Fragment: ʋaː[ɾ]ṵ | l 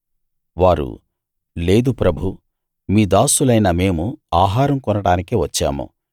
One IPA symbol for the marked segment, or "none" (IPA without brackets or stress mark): ɾ